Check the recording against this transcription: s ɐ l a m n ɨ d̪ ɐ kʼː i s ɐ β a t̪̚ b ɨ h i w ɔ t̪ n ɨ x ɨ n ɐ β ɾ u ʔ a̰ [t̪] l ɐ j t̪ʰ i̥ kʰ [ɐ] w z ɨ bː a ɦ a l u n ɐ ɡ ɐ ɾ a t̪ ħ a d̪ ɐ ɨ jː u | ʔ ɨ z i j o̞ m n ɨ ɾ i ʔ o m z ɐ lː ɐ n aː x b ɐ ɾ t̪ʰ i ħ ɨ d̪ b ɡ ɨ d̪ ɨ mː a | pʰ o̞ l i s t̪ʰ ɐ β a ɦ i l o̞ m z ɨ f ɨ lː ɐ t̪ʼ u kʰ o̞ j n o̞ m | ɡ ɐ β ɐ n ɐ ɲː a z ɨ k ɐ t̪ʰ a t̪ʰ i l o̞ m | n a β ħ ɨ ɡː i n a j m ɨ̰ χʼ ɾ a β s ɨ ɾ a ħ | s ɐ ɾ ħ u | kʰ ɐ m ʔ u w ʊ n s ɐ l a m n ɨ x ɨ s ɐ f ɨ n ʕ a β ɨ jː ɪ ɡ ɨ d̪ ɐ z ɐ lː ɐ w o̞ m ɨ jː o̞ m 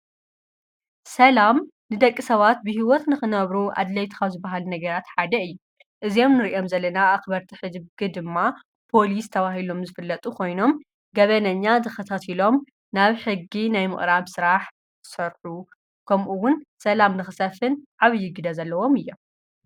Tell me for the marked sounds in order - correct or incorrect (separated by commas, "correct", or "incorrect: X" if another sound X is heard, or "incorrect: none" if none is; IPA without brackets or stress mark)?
incorrect: d̪, incorrect: a